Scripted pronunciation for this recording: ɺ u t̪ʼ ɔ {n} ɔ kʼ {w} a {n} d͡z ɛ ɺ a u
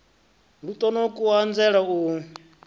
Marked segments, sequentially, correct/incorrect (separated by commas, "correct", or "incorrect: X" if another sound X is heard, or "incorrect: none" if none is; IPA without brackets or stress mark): correct, incorrect: u, correct